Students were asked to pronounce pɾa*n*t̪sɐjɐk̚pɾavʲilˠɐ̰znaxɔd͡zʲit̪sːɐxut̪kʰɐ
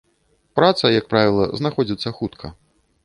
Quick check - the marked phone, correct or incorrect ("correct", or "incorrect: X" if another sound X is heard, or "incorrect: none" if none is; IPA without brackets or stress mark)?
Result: incorrect: none